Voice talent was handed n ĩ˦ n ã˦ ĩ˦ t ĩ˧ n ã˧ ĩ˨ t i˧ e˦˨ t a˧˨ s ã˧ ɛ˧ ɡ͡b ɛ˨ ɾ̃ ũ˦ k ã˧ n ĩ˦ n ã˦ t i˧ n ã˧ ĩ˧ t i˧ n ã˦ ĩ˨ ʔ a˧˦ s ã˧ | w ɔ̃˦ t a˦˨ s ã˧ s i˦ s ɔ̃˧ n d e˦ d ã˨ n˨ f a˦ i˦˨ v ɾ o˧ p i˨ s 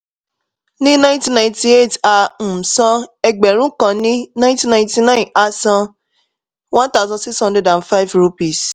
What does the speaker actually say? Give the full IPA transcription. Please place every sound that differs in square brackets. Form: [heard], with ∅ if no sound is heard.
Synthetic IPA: n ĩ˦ n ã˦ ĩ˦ t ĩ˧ n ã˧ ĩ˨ t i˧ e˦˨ t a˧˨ s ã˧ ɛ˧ ɡ͡b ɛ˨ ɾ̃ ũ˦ k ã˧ n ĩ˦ n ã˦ t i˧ n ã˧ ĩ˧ t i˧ n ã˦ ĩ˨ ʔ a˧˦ s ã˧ | w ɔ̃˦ t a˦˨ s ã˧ s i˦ s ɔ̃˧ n d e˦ d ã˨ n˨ f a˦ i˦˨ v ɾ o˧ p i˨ s